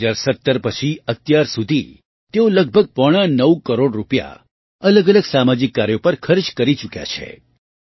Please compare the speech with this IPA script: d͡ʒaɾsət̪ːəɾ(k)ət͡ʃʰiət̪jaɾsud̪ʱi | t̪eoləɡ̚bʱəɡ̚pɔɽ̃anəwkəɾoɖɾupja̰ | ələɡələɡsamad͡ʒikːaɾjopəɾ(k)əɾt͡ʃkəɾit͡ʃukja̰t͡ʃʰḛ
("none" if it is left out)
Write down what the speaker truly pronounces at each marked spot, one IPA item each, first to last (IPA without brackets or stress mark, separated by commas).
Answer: p, kʰ